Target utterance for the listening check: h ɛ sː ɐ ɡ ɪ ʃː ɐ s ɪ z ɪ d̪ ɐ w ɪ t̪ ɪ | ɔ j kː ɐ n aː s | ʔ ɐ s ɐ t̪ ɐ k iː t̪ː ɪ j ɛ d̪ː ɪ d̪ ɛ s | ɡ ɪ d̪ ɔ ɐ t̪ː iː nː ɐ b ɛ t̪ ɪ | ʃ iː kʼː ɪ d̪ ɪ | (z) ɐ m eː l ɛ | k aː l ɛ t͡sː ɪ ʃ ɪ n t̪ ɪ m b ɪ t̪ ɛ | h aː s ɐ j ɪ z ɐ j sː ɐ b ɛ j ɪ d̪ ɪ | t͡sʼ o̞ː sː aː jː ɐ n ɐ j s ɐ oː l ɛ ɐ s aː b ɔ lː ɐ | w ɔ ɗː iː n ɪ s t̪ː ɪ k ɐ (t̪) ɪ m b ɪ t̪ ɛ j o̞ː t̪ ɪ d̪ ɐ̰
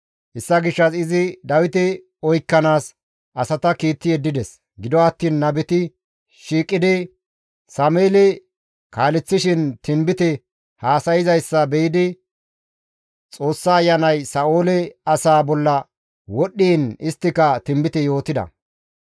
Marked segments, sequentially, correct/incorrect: incorrect: s, correct

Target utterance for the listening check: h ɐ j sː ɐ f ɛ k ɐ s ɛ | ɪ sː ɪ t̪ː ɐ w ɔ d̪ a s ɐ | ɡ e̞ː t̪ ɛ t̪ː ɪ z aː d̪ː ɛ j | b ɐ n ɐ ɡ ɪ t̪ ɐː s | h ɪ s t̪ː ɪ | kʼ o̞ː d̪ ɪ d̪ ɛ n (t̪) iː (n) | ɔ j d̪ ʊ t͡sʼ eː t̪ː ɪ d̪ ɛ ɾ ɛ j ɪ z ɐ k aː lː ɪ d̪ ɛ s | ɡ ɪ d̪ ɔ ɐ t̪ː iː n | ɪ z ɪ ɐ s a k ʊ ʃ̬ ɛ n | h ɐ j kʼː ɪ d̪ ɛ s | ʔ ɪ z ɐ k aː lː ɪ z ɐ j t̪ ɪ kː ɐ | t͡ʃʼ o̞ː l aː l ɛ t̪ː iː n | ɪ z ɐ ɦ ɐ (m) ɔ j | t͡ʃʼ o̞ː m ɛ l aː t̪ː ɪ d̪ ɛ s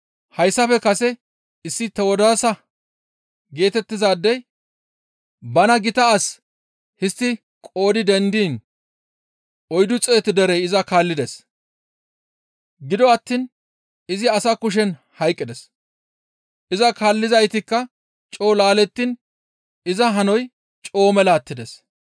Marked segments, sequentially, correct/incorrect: incorrect: d̪, correct, incorrect: n

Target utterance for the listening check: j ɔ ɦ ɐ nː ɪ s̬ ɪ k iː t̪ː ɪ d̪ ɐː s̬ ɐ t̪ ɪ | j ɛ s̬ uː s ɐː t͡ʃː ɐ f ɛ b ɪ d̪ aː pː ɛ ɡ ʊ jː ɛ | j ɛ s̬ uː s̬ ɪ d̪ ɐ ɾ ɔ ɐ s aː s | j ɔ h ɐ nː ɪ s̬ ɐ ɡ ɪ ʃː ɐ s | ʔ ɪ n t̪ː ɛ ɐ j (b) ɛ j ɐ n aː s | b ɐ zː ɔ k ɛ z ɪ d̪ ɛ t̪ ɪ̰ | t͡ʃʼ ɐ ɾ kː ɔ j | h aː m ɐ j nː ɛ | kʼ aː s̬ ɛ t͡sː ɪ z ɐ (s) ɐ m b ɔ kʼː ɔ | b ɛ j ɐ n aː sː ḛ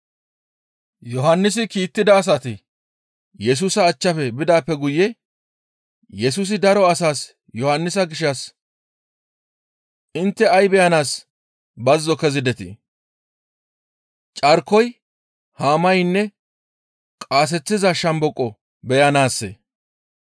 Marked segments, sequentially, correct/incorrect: correct, incorrect: ʃ

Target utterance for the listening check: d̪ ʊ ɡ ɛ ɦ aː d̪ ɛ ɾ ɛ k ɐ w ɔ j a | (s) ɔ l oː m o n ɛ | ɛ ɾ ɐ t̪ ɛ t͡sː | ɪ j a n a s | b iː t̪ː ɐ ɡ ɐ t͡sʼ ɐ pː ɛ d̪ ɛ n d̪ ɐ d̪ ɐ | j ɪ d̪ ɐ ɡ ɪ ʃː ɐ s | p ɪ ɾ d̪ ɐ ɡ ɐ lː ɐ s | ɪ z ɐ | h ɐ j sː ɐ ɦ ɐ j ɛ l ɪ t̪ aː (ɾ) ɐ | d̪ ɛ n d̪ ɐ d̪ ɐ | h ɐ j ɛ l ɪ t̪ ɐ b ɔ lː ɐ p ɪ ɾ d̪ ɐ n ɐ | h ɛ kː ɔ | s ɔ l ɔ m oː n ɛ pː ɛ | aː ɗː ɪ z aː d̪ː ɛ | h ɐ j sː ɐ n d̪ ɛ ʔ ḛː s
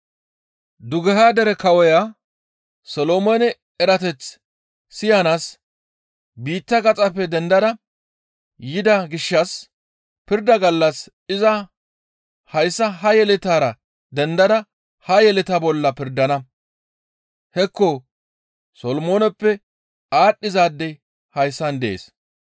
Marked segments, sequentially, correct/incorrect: correct, correct

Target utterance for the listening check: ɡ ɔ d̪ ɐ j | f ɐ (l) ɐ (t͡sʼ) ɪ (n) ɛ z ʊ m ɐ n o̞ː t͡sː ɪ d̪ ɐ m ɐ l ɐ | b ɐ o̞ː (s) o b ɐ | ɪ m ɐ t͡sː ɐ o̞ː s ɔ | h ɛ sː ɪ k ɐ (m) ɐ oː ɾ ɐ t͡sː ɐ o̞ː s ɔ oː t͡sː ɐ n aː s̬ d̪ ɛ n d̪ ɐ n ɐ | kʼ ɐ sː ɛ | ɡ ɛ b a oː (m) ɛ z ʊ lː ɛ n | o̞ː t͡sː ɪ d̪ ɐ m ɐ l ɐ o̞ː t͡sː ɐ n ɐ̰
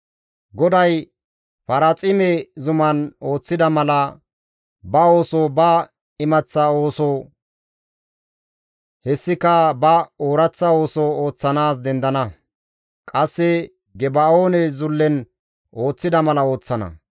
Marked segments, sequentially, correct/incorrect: incorrect: ɾ, correct, incorrect: m, correct, incorrect: b, incorrect: n

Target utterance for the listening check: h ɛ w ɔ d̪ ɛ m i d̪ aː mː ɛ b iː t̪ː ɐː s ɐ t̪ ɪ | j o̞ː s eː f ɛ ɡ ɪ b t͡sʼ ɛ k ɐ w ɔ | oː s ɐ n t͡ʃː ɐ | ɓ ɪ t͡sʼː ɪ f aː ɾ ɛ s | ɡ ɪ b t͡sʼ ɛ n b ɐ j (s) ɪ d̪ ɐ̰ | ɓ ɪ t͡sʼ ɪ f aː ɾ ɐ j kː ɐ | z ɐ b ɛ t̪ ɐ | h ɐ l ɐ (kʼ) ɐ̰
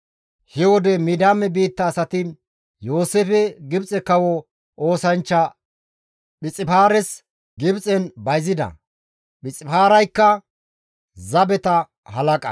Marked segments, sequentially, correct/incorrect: incorrect: z, correct

